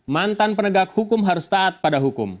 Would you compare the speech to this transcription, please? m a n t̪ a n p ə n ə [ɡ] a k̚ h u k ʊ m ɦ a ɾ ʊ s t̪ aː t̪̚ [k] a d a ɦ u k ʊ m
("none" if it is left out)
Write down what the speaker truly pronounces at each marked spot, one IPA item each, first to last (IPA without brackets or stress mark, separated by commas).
ɡ, p